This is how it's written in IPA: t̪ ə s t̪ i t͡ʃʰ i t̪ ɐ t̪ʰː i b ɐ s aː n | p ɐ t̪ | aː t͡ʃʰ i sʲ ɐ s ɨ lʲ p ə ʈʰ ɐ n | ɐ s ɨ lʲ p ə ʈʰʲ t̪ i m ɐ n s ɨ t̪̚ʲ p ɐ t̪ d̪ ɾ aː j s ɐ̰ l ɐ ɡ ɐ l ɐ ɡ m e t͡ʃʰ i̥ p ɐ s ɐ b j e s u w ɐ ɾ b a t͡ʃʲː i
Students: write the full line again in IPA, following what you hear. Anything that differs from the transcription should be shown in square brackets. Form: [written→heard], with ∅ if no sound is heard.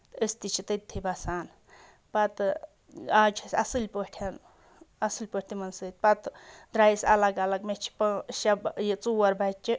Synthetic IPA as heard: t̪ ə s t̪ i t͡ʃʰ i t̪ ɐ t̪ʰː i b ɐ s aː n | p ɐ t̪ | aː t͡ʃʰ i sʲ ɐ s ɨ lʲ p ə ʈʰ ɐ n | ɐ s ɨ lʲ p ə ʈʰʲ t̪ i m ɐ n s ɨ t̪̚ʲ p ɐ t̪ d̪ ɾ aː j s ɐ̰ l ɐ ɡ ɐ l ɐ ɡ m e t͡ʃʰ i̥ p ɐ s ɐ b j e [s→t͡s] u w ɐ ɾ b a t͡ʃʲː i

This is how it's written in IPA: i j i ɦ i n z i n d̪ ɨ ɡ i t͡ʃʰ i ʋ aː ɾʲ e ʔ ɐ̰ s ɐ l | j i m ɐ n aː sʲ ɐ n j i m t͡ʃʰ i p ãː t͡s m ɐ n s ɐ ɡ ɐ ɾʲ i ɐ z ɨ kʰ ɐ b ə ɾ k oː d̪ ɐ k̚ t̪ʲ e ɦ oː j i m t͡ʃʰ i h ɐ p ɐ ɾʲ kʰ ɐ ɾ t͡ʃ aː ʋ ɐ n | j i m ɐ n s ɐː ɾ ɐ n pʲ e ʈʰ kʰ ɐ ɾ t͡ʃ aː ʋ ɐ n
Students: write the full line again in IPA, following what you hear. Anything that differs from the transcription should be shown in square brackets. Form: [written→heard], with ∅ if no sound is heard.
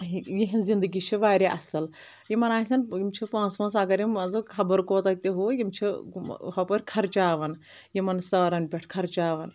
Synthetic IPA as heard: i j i ɦ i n z i n d̪ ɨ ɡ i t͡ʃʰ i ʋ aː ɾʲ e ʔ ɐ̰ s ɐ l | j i m ɐ n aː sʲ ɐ n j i m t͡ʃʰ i p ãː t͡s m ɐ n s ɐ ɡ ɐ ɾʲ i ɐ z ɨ kʰ ɐ b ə ɾ k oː [d̪→t̪] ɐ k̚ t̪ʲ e ɦ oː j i m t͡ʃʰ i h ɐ p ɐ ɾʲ kʰ ɐ ɾ t͡ʃ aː ʋ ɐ n | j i m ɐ n s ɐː ɾ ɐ n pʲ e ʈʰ kʰ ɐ ɾ t͡ʃ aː ʋ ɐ n

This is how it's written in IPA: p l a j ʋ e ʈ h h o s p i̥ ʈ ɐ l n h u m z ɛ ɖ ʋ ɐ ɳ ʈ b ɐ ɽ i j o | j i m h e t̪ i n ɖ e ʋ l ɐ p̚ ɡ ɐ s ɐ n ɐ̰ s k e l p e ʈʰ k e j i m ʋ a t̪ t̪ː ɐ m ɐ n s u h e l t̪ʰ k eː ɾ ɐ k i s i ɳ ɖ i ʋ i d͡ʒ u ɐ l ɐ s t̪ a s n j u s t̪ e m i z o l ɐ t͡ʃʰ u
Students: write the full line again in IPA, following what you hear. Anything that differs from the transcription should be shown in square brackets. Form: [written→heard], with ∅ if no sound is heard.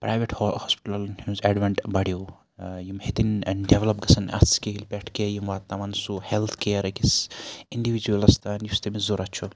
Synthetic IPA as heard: p [l→ɾ] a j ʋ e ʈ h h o s p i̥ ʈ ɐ l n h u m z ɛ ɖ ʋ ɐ ɳ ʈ b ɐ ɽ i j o | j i m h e t̪ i n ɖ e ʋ l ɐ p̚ ɡ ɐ s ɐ n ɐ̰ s k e l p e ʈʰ k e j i m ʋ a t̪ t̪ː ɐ m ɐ n s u h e l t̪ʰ k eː ɾ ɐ k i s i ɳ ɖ i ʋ i d͡ʒ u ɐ l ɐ s t̪ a [s→∅] n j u s t̪ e m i z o [l→ɾ] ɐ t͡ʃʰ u

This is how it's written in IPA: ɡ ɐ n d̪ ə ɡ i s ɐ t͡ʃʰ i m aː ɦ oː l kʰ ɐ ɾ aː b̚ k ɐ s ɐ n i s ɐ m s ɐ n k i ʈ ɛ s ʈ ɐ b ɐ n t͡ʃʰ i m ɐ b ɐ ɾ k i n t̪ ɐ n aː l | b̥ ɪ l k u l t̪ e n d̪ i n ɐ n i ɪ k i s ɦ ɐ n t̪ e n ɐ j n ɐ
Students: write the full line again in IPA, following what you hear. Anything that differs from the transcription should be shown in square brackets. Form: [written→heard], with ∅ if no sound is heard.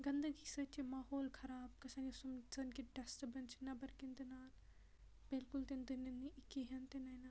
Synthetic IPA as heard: ɡ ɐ n d̪ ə ɡ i s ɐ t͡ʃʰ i m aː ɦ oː l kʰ ɐ ɾ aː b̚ k ɐ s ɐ n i s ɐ m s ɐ n k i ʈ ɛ s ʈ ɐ b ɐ n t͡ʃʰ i [m→n] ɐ b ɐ ɾ k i n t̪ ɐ n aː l | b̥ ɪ l k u l t̪ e n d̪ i n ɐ n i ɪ k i [s→∅] ɦ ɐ n t̪ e n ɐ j n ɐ

